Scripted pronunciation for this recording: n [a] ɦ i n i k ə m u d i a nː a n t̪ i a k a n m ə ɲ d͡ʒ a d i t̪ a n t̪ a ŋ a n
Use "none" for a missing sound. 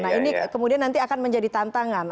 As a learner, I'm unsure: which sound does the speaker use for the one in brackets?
a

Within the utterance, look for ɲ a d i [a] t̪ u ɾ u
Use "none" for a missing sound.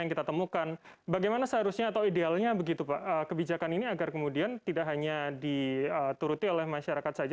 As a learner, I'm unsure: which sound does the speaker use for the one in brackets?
ə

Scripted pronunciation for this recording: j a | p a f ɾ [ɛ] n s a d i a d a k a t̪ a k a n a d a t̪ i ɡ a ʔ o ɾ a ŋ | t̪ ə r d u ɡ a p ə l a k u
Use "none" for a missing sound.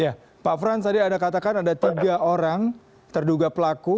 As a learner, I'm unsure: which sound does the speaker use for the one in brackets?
a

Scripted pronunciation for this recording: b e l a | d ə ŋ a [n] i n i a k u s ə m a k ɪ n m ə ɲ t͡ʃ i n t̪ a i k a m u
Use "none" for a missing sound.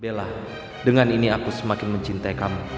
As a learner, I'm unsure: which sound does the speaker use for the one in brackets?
n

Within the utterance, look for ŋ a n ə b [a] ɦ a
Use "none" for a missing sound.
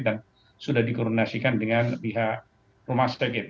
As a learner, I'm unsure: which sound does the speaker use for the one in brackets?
i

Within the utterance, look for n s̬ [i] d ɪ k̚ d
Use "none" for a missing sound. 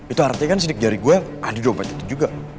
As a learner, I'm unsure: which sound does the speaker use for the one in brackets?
i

